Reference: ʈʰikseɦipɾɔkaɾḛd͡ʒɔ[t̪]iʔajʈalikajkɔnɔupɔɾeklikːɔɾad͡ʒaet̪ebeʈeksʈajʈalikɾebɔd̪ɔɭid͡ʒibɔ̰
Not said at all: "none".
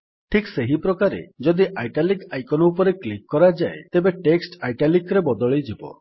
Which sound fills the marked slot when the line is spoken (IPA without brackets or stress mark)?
d̪